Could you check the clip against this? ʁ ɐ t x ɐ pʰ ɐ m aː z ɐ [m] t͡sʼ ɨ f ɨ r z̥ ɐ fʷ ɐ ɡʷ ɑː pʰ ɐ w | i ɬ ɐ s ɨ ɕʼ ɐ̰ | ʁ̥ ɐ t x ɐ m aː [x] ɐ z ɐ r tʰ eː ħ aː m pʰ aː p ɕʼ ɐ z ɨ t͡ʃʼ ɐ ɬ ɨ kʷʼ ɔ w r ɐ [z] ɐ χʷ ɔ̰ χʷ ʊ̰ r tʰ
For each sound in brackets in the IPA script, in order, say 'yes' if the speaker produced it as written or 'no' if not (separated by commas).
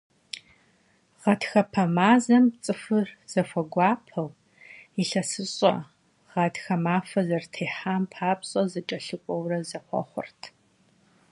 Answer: yes, no, yes